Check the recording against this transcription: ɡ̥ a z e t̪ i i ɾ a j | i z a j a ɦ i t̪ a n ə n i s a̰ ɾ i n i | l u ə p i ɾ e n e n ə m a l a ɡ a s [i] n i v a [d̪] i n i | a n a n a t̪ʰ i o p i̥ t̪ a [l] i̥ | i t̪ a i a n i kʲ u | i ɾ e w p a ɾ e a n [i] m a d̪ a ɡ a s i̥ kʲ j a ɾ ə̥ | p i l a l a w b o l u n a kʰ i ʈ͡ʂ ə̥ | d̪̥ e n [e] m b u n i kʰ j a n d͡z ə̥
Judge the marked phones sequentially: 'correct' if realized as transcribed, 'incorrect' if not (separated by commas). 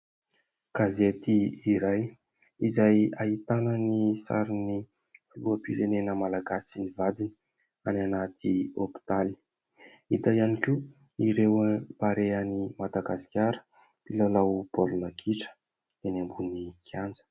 correct, correct, correct, correct, incorrect